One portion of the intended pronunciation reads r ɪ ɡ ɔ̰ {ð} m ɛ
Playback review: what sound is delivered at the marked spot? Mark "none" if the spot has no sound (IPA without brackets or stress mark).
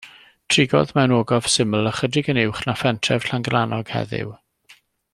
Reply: ð